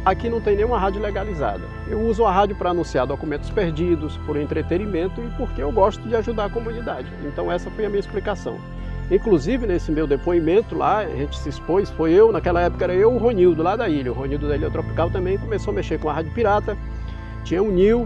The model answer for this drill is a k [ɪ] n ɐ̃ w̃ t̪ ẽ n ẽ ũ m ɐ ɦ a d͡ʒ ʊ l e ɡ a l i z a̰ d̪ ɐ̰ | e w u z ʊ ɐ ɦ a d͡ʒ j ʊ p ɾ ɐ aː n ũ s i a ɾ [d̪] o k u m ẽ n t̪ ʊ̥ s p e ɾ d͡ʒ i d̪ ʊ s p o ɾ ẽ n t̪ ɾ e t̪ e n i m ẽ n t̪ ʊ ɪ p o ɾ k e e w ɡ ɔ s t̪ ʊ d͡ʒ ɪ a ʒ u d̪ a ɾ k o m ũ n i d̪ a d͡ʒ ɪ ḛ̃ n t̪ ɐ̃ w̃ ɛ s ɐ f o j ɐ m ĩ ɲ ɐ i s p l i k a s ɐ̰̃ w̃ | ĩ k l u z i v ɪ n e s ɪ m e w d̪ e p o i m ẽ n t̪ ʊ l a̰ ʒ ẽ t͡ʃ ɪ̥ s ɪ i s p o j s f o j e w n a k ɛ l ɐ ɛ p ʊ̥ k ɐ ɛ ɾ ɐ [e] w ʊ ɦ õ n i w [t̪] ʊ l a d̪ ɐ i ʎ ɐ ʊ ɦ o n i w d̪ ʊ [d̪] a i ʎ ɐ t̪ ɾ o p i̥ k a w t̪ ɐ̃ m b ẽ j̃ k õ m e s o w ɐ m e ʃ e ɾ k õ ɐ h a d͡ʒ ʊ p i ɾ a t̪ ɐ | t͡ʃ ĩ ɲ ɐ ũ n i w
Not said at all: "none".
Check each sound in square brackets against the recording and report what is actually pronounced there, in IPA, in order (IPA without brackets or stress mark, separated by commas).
i, d̪, e, d̪, d̪